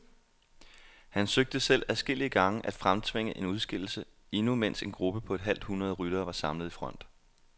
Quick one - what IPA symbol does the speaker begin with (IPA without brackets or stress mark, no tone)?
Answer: h